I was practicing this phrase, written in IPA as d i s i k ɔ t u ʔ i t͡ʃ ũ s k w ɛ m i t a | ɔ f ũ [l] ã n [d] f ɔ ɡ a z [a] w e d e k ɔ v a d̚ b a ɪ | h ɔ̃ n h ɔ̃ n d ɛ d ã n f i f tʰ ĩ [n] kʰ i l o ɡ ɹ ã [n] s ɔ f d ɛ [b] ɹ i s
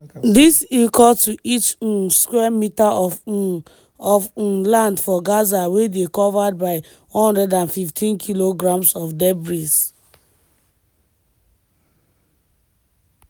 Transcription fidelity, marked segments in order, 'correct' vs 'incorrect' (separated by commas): correct, correct, correct, correct, incorrect, correct